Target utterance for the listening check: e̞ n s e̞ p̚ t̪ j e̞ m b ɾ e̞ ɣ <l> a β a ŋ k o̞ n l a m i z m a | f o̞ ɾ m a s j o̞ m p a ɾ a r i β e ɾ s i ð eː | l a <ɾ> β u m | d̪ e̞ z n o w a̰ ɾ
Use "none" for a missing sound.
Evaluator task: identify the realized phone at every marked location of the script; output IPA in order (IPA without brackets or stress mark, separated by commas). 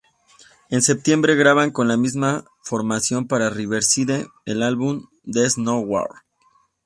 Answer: ɾ, l